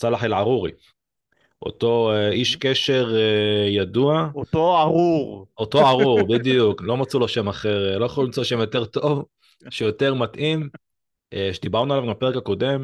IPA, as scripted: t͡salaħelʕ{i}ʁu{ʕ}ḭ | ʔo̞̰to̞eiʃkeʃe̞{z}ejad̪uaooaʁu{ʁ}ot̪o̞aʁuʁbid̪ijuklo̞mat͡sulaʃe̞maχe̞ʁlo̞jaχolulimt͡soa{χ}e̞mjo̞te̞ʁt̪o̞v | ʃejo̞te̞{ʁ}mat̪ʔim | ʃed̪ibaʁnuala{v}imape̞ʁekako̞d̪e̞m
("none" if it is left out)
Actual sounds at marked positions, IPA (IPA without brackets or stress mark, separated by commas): a, ʁ, ʁ, ʁ, ʃ, ʁ, v